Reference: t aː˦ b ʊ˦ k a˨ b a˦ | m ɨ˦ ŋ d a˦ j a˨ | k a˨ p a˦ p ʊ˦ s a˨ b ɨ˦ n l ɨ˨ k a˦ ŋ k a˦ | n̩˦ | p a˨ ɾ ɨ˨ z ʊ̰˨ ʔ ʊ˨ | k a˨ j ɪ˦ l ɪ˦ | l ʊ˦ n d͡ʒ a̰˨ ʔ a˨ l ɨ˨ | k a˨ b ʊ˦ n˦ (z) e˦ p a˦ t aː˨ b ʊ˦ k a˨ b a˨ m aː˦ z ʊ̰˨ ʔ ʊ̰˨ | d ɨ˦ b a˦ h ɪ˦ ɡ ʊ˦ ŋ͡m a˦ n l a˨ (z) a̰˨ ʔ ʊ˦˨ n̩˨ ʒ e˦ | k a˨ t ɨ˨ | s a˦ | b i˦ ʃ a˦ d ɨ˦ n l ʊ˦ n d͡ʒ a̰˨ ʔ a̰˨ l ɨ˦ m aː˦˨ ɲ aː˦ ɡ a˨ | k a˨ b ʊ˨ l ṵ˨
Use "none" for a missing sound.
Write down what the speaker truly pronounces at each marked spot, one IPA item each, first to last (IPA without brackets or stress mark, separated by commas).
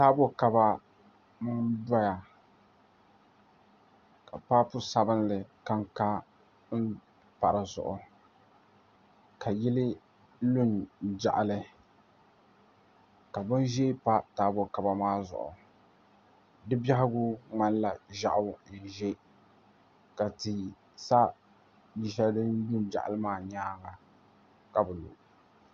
ʒ, ʒ